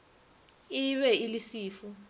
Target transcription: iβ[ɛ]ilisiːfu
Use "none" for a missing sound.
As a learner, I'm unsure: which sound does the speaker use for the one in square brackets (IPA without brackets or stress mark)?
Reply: ɛ